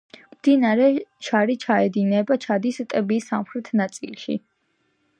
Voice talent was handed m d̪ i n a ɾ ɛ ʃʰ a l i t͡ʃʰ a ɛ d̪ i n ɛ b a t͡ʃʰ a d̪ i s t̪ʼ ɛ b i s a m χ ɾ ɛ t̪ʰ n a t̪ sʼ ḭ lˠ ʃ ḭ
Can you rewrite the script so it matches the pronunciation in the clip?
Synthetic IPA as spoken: m d̪ i n a ɾ ɛ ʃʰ a ɾ i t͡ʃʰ a ɛ d̪ i n ɛ b a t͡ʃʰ a d̪ i s t̪ʼ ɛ b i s a m χ ɾ ɛ t̪ʰ n a t̪ sʼ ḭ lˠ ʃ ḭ